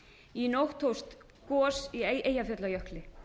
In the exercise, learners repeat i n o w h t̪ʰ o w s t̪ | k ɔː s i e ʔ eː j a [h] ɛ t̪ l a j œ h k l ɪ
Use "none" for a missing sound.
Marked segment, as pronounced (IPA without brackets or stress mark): f